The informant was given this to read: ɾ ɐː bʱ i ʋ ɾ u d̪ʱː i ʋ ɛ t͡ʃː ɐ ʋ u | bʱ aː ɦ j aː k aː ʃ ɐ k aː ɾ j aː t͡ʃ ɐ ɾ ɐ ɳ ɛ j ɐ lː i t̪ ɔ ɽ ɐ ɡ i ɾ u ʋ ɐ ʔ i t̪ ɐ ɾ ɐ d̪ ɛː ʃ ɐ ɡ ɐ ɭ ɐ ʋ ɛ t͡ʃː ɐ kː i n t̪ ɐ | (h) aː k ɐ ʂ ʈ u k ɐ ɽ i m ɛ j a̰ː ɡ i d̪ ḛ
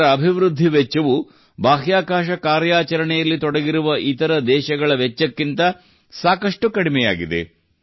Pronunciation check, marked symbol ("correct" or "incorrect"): incorrect